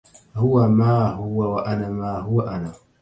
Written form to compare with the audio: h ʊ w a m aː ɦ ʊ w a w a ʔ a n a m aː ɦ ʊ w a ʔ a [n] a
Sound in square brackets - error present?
no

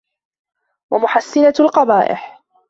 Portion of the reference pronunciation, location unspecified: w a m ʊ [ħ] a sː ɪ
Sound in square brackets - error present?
no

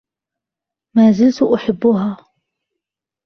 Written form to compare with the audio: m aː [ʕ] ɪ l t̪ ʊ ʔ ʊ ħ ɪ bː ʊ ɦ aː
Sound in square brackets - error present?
yes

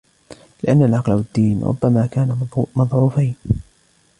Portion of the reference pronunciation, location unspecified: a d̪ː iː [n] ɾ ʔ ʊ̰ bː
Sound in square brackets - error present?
no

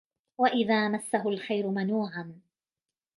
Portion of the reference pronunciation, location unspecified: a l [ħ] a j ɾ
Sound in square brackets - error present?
yes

